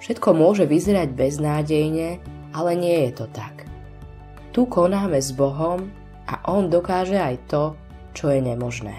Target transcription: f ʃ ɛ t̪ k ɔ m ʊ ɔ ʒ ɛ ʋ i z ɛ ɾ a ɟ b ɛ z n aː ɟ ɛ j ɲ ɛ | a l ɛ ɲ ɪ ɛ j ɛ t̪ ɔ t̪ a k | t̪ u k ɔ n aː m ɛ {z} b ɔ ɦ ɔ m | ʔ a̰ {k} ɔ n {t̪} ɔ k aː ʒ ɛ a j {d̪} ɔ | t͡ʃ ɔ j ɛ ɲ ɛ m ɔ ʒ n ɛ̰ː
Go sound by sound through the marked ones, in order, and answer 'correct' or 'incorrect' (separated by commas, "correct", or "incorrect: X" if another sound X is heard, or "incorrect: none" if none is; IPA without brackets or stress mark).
correct, incorrect: ʔ, incorrect: d̪, incorrect: t̪